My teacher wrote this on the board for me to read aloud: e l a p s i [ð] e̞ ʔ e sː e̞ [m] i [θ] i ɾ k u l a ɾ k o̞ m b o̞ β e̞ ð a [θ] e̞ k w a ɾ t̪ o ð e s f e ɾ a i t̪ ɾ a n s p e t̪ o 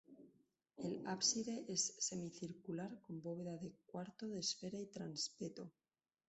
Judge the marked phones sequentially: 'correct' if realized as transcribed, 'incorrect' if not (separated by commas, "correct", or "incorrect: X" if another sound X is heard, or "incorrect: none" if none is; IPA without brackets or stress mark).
correct, correct, correct, incorrect: ð